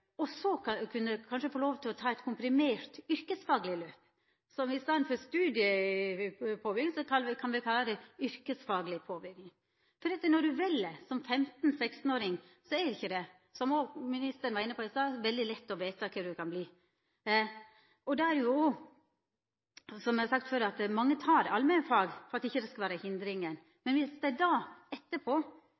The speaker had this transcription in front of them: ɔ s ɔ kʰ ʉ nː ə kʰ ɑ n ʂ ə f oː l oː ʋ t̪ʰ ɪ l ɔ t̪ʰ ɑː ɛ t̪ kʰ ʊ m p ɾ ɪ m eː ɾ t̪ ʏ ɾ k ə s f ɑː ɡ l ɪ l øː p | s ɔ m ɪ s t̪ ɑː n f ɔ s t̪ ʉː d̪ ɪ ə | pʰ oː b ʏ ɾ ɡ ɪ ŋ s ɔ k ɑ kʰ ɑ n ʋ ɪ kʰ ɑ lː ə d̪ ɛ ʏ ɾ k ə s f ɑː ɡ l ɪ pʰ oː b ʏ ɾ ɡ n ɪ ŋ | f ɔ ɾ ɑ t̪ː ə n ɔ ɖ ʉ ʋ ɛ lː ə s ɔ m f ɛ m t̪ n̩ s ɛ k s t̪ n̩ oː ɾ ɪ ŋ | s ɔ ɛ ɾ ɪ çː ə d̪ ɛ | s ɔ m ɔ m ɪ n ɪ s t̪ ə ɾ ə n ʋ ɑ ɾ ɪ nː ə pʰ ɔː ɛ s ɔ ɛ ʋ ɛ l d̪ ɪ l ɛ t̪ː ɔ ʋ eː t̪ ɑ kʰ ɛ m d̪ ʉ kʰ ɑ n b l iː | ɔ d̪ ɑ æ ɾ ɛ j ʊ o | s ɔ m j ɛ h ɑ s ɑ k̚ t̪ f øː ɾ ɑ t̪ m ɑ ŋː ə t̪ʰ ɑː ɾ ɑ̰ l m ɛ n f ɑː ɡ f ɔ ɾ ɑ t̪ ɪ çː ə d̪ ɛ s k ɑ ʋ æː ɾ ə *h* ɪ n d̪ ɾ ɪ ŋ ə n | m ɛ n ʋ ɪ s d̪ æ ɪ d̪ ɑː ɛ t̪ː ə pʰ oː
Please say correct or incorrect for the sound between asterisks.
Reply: correct